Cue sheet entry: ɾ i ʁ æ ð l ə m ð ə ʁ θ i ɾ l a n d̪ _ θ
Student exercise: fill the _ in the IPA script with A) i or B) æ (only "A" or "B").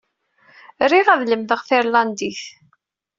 A